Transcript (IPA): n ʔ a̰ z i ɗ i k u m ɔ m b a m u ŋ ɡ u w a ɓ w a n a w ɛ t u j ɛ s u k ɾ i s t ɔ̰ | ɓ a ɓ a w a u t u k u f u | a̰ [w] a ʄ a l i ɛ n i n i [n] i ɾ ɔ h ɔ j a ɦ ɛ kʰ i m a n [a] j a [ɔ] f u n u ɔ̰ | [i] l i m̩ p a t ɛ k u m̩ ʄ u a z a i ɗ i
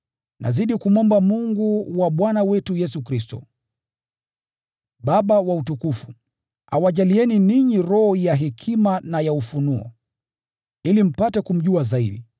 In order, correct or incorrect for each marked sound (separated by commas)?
correct, incorrect, correct, incorrect, correct